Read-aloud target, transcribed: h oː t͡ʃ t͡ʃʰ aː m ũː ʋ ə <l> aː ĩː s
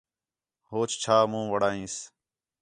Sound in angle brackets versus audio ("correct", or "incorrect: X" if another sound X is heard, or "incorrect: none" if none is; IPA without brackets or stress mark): incorrect: ɽ